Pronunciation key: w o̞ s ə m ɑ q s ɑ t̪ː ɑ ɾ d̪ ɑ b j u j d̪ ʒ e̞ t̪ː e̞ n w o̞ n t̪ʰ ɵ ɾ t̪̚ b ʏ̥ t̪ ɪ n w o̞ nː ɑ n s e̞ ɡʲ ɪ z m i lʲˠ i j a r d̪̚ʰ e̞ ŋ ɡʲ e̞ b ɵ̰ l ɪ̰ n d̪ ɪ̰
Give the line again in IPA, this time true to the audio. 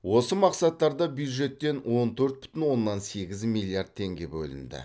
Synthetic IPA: w o̞ s ə m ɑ q s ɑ t̪ː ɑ ɾ d̪ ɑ b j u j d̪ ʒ e̞ t̪ː e̞ n w o̞ n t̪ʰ ɵ ɾ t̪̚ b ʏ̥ t̪ ɪ n w o̞ nː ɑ n s e̞ ɡʲ ɪ z m i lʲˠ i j a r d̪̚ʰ e̞ ŋ ɡʲ e̞ b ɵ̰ l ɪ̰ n d̪ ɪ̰

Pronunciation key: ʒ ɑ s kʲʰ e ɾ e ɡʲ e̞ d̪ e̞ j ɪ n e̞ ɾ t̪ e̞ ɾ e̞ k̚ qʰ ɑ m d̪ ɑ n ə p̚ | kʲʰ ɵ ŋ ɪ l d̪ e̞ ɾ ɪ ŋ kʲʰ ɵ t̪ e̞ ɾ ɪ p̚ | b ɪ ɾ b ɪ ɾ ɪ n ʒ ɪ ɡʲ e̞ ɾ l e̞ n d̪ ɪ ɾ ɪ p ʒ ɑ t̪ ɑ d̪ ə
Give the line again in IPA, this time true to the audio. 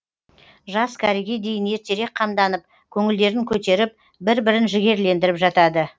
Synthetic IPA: ʒ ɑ s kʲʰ æ ɾ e ɡʲ e̞ d̪ e̞ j ɪ n e̞ ɾ t̪ e̞ ɾ e̞ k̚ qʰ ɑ m d̪ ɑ n ə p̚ | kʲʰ ɵ ŋ ɪ l d̪ e̞ ɾ ɪ ŋ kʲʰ ɵ t̪ e̞ ɾ ɪ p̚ | b ɪ ɾ b ɪ ɾ ɪ n ʒ ɪ ɡʲ e̞ ɾ l e̞ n d̪ ɪ ɾ ɪ p ʒ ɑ t̪ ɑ d̪ ə

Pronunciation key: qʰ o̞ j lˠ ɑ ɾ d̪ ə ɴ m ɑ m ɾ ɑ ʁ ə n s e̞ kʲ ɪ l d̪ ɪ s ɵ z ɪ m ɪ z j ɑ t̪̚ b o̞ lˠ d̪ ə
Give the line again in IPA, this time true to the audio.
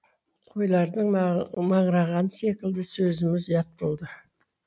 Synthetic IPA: qʰ o̞ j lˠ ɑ ɾ d̪ ə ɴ m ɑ ɴ ɾ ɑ ʁ ɑ n s e̞ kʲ ɪ l d̪ ɪ s ɵ z ɪ m ɪ z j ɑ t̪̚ b o̞ lˠ d̪ ə

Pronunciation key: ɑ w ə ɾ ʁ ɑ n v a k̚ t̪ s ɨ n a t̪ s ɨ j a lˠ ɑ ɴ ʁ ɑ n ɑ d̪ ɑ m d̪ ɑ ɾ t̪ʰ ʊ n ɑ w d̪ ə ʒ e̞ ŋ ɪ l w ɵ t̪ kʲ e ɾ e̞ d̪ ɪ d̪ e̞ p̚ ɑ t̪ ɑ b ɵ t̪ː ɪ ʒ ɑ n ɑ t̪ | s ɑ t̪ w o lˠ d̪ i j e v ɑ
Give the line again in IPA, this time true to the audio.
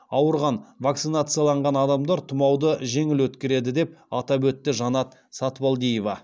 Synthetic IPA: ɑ w ə ɾ ʁ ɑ n v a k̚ t̪ s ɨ n a t̪ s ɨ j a lˠ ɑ ɴ ʁ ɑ n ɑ d̪ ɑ m d̪ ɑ ɾ t̪ʰ ʊ m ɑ w d̪ ə ʒ e̞ ŋ ɪ l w ɵ t̪ kʲ e ɾ e̞ d̪ ɪ d̪ e̞ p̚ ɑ t̪ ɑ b ɵ t̪ː ɪ ʒ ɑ n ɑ t̪ | s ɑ t̪ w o lˠ d̪ i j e v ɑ

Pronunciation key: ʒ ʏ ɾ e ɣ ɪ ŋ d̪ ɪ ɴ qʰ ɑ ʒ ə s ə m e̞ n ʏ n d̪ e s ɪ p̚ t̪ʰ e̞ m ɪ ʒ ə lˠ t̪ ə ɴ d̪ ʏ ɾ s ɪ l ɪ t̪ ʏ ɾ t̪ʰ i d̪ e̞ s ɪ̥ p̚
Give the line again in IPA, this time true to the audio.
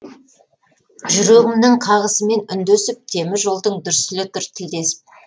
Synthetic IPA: ʒ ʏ ɾ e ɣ ɪ m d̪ ɪ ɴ qʰ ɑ ʁ ə s ə m e̞ n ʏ n d̪ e s ɪ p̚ t̪ʰ e̞ m ɪ ʒ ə lˠ d̪ ə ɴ d̪ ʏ ɾ s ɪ l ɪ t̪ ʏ ɾ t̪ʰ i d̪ e̞ s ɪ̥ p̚

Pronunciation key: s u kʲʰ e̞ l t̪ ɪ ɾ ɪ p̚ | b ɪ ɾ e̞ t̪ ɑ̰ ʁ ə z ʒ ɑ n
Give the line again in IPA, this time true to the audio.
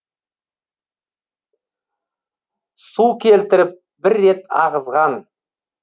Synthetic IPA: s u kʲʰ e̞ l t̪ ɪ ɾ ɪ p̚ | b ɪ ɾː e̞ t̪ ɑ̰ ʁ ə z ʁ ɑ n

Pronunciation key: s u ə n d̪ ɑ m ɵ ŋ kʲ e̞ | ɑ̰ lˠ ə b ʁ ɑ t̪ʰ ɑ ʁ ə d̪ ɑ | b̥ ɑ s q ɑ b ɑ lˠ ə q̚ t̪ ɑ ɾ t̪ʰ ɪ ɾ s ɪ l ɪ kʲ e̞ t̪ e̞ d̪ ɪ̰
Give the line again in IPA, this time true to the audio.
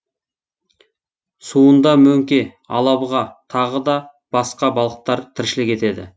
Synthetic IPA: s u ə n d̪ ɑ m ɵ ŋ kʲ e̞ | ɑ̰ lˠ ɑ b ʁ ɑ t̪ʰ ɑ ʁ ə d̪ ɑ | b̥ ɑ s q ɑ b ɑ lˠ ə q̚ t̪ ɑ ɾ t̪ʰ ɪ ɾ ʃ ɪ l ɪ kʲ e̞ t̪ e̞ d̪ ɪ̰

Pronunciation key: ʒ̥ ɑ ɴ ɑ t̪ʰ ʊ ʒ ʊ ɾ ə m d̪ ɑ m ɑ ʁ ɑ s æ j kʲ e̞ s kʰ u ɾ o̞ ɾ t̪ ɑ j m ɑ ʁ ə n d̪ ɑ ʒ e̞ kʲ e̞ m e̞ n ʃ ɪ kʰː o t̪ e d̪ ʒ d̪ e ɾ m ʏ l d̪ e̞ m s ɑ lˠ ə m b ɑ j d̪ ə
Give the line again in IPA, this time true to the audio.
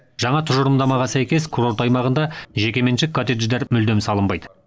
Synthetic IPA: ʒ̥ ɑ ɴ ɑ t̪ʰ ʊ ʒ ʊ ɾ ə m d̪ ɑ m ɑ ʁ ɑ s æ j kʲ e̞ s kʰ u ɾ o̞ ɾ t̪ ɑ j m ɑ ʁ ə n d̪ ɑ ʒ e̞ kʲ e̞ m e̞ n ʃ ɪ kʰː o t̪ e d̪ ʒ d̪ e ɾ m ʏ l d̪ e̞ m s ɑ lˠ ə m b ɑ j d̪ ə

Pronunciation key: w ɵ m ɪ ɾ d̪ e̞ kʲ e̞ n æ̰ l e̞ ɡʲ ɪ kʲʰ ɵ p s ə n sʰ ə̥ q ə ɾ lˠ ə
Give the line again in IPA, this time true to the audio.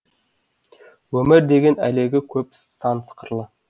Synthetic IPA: w ɵ m ɪ ɾ d̪ e̞ ɡʲ e̞ n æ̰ l e̞ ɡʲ ɪ kʲʰ ɵ p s ɑ n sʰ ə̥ q ə ɾ lˠ ə

